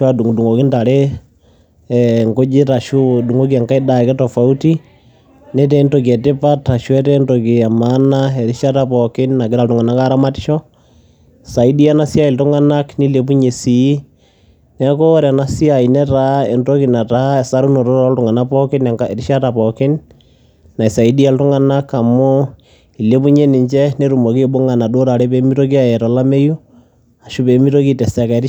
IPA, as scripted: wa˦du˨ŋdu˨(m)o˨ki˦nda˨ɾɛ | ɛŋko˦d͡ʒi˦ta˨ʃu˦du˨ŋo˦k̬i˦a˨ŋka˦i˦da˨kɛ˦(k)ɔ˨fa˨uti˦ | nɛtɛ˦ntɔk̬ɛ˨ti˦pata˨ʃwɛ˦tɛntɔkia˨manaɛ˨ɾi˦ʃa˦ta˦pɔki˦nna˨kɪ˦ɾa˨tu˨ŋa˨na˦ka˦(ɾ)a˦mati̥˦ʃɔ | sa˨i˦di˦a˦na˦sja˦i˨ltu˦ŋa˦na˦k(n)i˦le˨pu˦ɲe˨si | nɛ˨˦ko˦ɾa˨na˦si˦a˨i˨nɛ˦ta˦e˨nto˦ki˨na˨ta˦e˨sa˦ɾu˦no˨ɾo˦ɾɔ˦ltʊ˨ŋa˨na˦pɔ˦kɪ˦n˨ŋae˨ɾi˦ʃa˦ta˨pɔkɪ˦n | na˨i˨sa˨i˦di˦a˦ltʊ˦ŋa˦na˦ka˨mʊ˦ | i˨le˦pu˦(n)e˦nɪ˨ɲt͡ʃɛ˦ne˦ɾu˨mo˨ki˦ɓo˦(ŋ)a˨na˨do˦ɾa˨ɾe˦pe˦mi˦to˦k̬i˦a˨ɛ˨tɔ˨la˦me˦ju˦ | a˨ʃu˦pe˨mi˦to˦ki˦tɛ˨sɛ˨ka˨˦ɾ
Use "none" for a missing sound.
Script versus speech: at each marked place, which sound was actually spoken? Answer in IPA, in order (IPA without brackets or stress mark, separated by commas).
ŋ, t, ɾ, n, ɲ, ŋ